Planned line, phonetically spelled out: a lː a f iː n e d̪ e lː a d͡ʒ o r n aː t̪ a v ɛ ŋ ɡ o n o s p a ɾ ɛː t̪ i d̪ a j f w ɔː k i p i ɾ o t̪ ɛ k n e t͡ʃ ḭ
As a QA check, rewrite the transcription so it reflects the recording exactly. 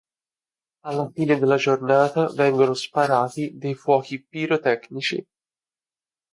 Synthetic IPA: a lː a f iː n e d̪ e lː a d͡ʒ o r n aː t̪ a v ɛ ŋ ɡ o n o s p a ɾ aː t̪ i d̪ e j f w ɔː k i p i ɾ o t̪ ɛ k n i t͡ʃ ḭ